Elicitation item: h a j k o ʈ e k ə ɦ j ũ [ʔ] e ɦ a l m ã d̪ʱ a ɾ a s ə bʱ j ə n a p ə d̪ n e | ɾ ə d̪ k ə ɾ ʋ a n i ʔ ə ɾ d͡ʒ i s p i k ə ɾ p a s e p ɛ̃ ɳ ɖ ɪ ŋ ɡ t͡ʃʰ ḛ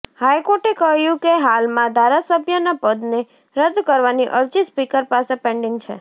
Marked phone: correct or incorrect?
incorrect